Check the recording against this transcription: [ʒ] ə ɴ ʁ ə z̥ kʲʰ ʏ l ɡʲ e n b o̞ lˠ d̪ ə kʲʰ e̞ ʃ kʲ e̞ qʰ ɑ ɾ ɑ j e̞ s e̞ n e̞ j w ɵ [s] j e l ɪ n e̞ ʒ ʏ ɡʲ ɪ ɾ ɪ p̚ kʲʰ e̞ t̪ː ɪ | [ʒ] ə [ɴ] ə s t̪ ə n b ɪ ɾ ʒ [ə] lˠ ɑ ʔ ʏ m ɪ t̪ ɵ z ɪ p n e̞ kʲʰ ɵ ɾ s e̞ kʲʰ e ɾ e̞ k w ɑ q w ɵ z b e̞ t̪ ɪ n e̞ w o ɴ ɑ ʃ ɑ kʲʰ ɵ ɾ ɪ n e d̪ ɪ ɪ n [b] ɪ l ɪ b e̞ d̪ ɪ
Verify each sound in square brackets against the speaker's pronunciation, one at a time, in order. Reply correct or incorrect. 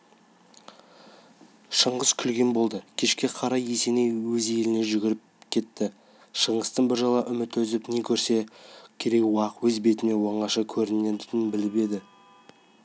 incorrect: ʃ, incorrect: z, incorrect: ʃ, correct, incorrect: ɑ, correct

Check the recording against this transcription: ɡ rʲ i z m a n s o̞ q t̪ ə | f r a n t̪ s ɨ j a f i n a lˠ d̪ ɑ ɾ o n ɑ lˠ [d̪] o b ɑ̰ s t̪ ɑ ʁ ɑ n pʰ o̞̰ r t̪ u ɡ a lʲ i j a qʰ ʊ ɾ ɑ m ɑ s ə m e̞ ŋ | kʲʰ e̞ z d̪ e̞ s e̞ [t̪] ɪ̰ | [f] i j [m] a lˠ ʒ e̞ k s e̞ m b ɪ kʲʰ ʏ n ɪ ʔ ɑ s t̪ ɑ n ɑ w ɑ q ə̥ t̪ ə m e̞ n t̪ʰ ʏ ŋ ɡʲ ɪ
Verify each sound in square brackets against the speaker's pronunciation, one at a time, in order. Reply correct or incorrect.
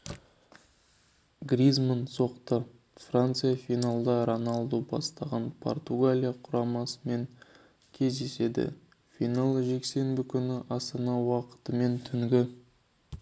correct, incorrect: d̪, correct, incorrect: n

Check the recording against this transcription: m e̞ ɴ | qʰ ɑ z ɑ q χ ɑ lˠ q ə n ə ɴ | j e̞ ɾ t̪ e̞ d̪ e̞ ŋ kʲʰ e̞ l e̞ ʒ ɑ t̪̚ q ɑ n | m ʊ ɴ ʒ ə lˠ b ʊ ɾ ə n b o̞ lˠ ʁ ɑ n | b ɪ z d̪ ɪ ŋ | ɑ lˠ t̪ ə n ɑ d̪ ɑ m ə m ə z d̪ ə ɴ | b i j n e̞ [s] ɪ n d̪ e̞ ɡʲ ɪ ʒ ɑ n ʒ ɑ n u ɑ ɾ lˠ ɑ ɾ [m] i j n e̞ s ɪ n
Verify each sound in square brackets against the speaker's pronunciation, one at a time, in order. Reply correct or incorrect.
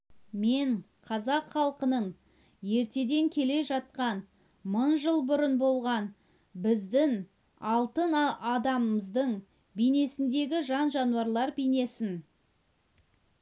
correct, incorrect: b

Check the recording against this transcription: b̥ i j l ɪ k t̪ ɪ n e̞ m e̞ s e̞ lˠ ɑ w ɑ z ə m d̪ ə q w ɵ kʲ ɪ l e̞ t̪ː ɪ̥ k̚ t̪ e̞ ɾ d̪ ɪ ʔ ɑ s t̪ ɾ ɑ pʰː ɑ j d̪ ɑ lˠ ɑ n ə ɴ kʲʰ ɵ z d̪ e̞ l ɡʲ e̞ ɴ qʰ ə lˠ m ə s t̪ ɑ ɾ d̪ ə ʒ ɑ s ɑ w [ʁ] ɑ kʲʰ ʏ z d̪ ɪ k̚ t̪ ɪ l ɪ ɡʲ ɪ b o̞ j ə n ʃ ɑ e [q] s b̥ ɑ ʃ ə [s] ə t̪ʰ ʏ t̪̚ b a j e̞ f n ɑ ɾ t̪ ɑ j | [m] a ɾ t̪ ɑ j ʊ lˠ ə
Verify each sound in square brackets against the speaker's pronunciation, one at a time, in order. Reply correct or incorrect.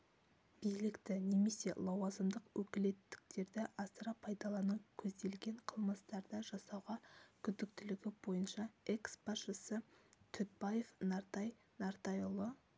correct, incorrect: k, correct, incorrect: n

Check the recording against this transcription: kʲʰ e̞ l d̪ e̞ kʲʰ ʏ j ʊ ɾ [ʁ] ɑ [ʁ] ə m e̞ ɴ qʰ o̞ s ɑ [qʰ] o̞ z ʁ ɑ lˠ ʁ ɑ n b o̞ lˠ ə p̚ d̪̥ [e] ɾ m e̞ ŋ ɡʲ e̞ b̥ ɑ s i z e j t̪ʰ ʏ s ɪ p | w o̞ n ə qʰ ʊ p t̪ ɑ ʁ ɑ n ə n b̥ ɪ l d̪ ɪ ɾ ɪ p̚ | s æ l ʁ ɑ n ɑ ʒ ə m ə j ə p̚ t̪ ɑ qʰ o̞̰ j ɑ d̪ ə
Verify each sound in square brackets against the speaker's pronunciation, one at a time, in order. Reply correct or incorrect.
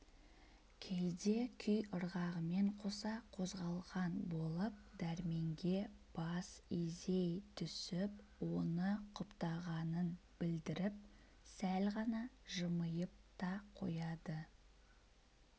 correct, correct, correct, incorrect: æ

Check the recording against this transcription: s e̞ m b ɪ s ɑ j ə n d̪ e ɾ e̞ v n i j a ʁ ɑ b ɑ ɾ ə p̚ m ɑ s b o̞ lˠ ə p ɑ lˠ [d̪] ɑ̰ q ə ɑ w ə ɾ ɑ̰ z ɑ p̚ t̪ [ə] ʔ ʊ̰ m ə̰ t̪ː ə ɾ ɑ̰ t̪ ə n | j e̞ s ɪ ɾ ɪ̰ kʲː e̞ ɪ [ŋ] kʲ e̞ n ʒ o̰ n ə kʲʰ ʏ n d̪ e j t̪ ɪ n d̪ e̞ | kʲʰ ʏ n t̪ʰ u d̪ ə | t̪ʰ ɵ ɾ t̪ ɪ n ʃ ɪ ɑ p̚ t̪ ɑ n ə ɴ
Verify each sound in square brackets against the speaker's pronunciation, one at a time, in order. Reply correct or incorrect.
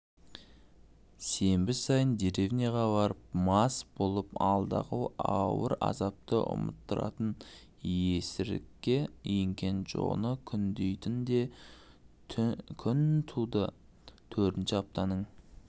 correct, correct, correct

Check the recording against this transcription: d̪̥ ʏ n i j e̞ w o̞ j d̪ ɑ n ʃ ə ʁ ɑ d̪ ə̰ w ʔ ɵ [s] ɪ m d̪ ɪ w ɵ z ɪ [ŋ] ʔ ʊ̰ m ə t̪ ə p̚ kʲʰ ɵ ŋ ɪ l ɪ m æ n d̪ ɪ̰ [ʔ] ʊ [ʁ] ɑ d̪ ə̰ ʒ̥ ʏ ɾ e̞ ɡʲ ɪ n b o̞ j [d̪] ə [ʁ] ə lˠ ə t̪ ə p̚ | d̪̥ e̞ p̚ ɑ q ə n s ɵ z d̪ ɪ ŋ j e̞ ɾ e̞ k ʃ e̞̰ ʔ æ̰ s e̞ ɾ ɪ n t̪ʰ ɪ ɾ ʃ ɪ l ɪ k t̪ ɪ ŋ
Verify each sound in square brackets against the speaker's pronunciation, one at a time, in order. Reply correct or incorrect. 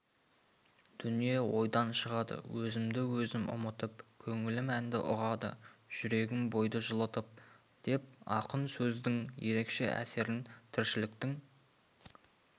incorrect: z, incorrect: m, correct, correct, correct, incorrect: ʒ

